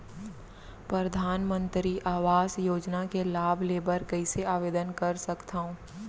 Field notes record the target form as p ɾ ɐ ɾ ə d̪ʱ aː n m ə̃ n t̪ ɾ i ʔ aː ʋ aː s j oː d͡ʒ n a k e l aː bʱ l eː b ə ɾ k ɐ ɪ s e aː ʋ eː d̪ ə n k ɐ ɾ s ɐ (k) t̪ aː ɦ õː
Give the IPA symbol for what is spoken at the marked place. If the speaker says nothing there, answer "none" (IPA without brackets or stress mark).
k